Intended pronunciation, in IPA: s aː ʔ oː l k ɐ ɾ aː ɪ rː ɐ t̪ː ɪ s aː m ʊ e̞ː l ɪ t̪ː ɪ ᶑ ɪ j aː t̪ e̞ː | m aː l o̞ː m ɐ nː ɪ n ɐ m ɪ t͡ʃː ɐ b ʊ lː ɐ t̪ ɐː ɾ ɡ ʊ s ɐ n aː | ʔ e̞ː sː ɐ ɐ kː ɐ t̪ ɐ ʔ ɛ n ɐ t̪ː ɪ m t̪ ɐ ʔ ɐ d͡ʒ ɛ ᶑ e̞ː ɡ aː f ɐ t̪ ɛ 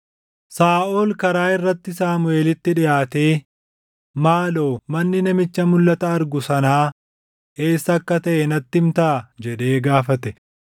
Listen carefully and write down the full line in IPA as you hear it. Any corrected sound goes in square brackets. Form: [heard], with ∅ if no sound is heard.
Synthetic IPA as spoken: s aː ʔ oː l k ɐ ɾ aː ɪ rː ɐ t̪ː ɪ s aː m ʊ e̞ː l ɪ t̪ː ɪ ᶑ ɪ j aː t̪ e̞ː | m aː l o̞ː m ɐ nː ɪ n ɐ m ɪ t͡ʃː ɐ [m] ʊ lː ɐ t̪ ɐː ɾ ɡ ʊ s ɐ n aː | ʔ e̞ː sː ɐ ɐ kː ɐ t̪ ɐ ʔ ɛ n ɐ t̪ː ɪ m t̪ ɐ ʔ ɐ d͡ʒ ɛ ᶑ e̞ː ɡ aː f ɐ t̪ ɛ

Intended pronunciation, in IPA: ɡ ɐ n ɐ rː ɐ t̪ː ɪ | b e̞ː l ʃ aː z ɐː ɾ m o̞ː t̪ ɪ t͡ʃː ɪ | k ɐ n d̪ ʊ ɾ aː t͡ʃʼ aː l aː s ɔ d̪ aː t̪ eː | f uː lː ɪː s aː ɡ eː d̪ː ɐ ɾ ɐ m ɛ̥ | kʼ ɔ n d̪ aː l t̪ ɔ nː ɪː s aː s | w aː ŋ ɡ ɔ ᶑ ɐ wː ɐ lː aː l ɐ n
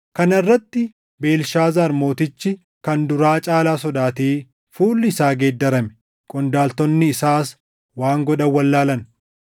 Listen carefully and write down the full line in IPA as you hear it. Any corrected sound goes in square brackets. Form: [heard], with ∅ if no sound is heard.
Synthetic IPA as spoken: [k] ɐ n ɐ rː ɐ t̪ː ɪ | b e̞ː l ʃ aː z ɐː ɾ m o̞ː t̪ ɪ t͡ʃː ɪ | k ɐ n d̪ ʊ ɾ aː t͡ʃʼ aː l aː s ɔ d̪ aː t̪ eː | f uː lː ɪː s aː ɡ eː d̪ː ɐ ɾ ɐ m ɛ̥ | kʼ ɔ n d̪ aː l t̪ ɔ nː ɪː s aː s | w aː ŋ ɡ ɔ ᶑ ɐ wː ɐ lː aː l ɐ n

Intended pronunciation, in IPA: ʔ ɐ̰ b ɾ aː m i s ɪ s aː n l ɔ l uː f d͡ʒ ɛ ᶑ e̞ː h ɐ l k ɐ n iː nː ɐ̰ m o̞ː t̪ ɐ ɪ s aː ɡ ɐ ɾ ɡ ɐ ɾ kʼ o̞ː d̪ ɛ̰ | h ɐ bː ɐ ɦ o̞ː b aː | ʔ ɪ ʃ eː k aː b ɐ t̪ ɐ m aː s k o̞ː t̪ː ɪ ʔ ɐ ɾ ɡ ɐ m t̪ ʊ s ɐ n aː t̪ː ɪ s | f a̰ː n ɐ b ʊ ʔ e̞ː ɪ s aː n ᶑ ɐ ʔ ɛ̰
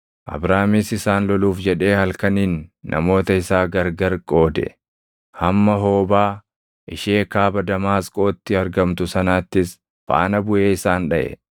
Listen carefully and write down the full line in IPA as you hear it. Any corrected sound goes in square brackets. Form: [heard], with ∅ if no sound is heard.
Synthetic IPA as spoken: ʔ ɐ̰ b ɾ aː m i s ɪ s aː n l ɔ l uː f d͡ʒ ɛ ᶑ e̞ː h ɐ l k ɐ n iː nː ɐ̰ m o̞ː t̪ ɐ ɪ s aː ɡ ɐ ɾ ɡ ɐ ɾ kʼ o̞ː d̪ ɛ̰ | h ɐ [mː] ɐ ɦ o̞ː b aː | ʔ ɪ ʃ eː k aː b ɐ [d̪] ɐ m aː s [kʼ] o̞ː t̪ː ɪ [∅] ɐ ɾ ɡ ɐ m t̪ ʊ s ɐ n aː t̪ː ɪ s | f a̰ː n ɐ b ʊ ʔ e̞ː ɪ s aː n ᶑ ɐ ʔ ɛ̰

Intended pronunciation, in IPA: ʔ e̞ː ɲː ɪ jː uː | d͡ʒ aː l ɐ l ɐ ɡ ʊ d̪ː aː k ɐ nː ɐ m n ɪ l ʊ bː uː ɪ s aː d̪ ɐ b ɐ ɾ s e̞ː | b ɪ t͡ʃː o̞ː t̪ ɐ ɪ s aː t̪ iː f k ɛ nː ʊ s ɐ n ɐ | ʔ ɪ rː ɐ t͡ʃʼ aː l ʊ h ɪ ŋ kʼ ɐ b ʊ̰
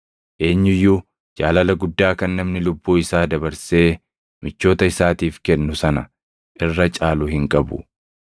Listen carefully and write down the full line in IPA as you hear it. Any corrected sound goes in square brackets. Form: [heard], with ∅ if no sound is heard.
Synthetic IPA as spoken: ʔ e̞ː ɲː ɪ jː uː | d͡ʒ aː l ɐ l ɐ ɡ ʊ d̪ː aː k ɐ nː ɐ m n ɪ l ʊ bː uː ɪ s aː d̪ ɐ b ɐ ɾ s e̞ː | [m] ɪ t͡ʃː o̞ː t̪ ɐ ɪ s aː t̪ iː f k ɛ nː ʊ s ɐ n ɐ | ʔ ɪ rː ɐ t͡ʃʼ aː l ʊ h ɪ ŋ kʼ ɐ b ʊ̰

